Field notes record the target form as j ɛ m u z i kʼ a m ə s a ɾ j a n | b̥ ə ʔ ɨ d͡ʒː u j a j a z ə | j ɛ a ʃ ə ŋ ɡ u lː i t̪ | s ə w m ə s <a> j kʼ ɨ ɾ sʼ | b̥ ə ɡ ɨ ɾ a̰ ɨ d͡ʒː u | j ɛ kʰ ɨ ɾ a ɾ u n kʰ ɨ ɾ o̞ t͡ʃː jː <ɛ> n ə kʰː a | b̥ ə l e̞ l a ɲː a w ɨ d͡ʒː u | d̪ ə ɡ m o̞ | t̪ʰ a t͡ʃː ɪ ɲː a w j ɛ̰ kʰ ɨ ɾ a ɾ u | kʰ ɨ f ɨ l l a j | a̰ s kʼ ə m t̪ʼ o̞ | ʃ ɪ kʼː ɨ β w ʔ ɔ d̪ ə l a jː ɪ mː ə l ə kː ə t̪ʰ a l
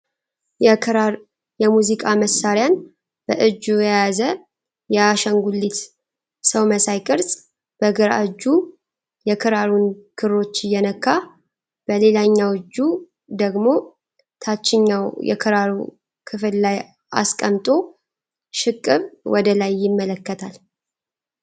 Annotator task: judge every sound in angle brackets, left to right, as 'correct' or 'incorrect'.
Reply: correct, correct

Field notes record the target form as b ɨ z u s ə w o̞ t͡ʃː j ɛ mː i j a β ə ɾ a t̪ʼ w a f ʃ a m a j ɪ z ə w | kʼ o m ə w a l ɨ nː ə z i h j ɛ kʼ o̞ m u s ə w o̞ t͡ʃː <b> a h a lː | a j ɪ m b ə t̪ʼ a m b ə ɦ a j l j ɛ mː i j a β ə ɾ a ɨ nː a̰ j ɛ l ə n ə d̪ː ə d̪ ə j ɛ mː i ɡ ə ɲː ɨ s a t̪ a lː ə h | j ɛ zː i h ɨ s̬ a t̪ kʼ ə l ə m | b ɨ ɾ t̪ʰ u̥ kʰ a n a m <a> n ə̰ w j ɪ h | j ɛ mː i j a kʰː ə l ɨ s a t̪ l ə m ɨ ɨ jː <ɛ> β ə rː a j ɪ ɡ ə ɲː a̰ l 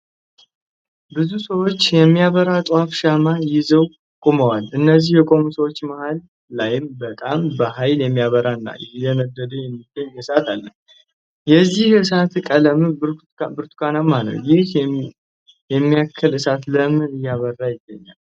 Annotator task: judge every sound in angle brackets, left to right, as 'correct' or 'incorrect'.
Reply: incorrect, correct, incorrect

